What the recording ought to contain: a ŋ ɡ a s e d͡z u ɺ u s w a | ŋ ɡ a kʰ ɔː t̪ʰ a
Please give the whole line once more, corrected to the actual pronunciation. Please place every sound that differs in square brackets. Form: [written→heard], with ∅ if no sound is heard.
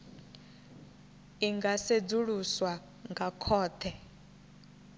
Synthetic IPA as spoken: [a→i] ŋ ɡ a s e d͡z u ɺ u s w a | ŋ ɡ a kʰ ɔː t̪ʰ [a→ɛ]